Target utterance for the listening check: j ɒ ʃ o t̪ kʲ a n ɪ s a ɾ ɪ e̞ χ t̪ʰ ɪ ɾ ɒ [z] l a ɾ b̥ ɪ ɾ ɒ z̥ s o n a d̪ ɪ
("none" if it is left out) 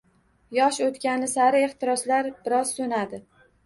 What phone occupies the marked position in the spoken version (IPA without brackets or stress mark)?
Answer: s